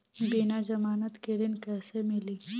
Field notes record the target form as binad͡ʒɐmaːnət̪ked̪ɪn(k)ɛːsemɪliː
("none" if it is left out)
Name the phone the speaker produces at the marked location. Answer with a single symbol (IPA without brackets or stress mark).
k